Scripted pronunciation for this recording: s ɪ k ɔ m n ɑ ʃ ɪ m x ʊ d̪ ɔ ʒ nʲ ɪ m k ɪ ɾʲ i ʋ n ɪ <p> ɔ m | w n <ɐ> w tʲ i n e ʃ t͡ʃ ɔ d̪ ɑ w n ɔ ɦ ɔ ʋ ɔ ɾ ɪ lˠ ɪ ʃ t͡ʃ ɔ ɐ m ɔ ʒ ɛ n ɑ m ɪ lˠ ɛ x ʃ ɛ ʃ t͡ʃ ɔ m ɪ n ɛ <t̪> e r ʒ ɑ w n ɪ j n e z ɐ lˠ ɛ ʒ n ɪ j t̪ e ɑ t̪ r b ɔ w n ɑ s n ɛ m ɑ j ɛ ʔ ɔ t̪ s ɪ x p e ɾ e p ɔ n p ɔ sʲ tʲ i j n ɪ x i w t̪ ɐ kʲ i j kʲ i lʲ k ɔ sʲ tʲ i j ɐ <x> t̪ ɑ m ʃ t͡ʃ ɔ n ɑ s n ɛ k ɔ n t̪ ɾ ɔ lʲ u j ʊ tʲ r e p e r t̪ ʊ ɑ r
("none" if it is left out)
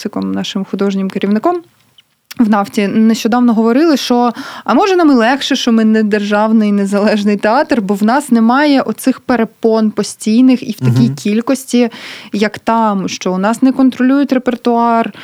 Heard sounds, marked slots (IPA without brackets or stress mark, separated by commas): k, ɑ, d̪, k